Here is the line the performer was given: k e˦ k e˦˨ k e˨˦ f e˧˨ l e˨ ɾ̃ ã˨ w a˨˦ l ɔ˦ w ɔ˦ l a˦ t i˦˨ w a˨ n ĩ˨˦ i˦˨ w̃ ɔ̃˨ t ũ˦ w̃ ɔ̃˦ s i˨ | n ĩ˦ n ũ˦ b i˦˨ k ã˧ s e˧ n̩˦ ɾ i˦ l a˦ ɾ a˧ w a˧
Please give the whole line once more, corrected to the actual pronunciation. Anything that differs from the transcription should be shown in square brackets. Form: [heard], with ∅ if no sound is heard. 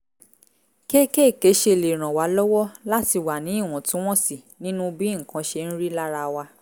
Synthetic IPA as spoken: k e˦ k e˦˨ k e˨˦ [ʃ] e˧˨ l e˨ ɾ̃ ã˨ w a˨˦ l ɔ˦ w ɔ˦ l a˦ t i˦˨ w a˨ n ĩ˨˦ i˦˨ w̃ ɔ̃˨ t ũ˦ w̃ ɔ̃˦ s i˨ | n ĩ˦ n ũ˦ b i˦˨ k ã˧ [ʃ] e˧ n̩˦ ɾ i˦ l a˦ ɾ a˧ w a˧

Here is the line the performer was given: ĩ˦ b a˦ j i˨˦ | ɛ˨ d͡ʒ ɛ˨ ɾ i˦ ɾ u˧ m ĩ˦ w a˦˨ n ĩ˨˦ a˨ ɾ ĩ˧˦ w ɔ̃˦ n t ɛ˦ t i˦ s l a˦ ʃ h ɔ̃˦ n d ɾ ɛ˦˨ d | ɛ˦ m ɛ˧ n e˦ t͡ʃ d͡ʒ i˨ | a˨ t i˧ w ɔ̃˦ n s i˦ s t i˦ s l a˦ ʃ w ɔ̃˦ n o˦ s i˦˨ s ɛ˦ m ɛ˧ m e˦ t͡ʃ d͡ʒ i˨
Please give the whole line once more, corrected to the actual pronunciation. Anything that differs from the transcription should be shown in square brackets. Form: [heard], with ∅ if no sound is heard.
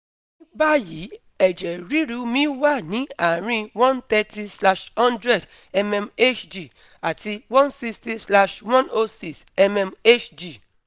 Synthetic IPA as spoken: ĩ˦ b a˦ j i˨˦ | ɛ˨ d͡ʒ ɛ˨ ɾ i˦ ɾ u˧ m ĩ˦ w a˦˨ n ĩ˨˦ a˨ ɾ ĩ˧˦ w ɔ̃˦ n t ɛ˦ t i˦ s l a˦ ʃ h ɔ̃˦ n d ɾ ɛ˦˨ d | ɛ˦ m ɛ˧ [m] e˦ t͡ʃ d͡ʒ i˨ | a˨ t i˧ w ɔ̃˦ n s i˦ s t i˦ s l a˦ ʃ w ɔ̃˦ n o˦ s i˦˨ s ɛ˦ m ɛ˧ m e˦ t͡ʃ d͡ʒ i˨

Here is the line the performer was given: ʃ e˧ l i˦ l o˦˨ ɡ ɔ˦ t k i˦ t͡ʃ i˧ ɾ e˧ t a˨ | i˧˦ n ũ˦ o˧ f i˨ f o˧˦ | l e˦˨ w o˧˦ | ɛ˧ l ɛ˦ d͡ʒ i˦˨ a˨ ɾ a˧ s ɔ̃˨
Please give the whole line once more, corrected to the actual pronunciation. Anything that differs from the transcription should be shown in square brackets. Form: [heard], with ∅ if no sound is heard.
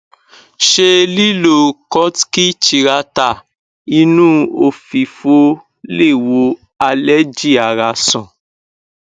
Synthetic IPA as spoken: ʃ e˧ l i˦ l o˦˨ [k] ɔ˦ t k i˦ t͡ʃ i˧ ɾ [a˧] t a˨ | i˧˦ n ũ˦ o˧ f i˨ f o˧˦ | l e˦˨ w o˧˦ | [a˧] l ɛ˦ d͡ʒ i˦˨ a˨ ɾ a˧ s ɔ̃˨

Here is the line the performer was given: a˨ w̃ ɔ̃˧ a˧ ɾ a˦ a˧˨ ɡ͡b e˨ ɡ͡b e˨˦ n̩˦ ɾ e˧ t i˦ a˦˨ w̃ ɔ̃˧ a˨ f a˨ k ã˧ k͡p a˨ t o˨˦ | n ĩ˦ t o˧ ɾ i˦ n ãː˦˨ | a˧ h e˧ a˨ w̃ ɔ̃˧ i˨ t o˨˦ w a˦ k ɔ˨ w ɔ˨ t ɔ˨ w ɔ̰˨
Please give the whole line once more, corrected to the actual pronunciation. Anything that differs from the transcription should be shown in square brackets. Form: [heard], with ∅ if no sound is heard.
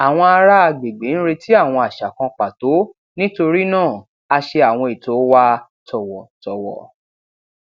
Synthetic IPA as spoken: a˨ w̃ ɔ̃˧ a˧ ɾ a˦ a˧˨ ɡ͡b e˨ ɡ͡b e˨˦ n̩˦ ɾ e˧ t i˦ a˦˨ w̃ ɔ̃˧ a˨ [ʃ] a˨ k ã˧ k͡p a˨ t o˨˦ | n ĩ˦ t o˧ ɾ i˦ n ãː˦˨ | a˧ [ʃ] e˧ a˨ w̃ ɔ̃˧ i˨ t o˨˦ w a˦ [t] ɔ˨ w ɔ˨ t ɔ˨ w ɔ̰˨

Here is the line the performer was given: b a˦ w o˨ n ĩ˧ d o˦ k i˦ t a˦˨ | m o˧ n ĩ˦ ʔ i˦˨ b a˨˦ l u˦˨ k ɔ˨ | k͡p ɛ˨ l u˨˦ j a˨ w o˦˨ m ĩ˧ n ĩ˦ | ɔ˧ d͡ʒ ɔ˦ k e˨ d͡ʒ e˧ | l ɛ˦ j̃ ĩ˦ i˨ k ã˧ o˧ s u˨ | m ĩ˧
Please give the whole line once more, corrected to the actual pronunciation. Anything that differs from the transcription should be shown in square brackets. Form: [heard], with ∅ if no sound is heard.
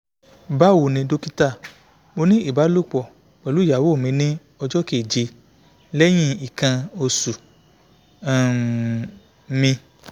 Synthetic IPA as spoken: b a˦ w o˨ n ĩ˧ d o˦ k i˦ t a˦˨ | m o˧ n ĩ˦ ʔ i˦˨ b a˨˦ l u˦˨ [k͡p] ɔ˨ | k͡p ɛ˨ l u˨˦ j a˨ w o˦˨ m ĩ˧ n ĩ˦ | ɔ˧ d͡ʒ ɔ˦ k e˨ d͡ʒ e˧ | l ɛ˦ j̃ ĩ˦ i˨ k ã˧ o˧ s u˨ | m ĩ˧

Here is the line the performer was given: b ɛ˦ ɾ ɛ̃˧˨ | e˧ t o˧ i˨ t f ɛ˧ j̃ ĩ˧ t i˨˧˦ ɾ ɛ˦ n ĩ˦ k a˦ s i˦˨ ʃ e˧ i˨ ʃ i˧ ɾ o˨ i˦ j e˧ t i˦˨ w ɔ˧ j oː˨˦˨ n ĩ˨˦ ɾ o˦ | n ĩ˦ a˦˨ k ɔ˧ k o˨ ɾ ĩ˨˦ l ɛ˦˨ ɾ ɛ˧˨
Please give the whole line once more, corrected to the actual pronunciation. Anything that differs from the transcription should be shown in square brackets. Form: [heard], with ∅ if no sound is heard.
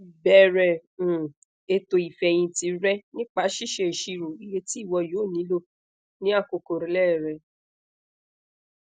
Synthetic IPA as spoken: b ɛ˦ ɾ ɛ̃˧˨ | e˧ t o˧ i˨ [∅] f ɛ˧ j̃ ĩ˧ t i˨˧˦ ɾ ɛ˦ n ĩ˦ [k͡p] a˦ [ʃ] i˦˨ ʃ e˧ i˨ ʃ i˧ ɾ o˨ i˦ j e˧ t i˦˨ w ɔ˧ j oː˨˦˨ n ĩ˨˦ [l] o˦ | n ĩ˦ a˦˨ k [o˧] k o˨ ɾ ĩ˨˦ l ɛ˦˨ ɾ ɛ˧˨

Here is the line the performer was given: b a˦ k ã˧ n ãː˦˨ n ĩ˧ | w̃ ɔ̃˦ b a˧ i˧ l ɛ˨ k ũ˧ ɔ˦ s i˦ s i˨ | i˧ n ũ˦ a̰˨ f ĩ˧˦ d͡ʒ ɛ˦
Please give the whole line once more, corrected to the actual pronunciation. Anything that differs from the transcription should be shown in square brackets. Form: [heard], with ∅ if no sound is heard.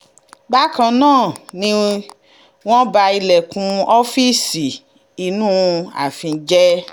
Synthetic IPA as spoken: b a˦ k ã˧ n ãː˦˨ n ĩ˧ | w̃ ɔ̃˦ b a˧ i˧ l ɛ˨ k ũ˧ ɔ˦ [f] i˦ s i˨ | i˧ n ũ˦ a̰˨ f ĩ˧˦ d͡ʒ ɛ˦

